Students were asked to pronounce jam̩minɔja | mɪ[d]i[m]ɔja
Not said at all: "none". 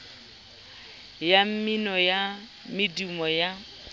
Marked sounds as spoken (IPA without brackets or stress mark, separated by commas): d, m